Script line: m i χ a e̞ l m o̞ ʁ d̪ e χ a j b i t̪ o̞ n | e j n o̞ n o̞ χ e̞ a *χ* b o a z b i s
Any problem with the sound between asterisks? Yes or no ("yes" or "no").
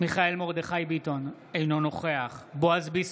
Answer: no